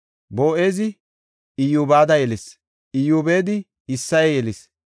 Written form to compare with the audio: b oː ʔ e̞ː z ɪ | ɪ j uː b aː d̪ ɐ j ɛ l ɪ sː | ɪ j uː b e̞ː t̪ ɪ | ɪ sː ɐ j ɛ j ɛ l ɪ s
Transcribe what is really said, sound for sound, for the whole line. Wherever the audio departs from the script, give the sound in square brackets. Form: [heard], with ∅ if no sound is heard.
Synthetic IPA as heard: b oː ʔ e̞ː z ɪ | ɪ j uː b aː d̪ ɐ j ɛ l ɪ [s] | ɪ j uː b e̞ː [d̪] ɪ | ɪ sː ɐ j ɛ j ɛ l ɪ s